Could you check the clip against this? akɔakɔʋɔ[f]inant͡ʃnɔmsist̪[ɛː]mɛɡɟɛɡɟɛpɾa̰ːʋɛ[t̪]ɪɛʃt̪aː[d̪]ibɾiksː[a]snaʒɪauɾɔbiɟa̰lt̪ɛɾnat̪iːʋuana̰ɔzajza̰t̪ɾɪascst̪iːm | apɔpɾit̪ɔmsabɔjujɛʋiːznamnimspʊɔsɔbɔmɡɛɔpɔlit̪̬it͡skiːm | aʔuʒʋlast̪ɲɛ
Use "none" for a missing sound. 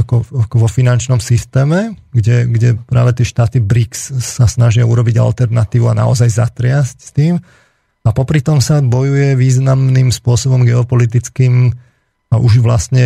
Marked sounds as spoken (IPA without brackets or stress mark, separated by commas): f, ɛː, t̪, t̪, a